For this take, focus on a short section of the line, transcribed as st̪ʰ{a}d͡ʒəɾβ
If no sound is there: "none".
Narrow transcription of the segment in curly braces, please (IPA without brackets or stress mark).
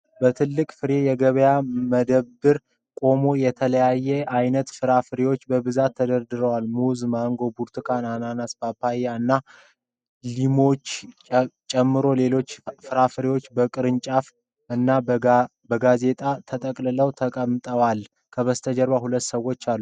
ə